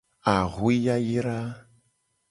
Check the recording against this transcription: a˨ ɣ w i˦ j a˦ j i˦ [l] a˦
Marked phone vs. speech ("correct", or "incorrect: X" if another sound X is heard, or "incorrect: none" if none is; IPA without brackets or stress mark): incorrect: ɾ